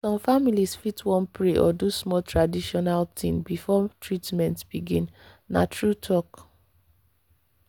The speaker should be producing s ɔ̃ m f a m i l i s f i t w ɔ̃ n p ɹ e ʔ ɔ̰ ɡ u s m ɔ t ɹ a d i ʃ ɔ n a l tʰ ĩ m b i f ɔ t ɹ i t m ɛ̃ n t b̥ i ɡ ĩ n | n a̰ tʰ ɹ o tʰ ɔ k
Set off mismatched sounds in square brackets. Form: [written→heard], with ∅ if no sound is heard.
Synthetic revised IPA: s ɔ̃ m f a m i l i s f i t w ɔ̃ n p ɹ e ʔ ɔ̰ [ɡ→d] u s m ɔ t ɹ a d i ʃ ɔ n a l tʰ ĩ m b i f ɔ t ɹ i t m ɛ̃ n t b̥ i ɡ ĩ n | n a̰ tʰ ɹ [o→u] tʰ ɔ k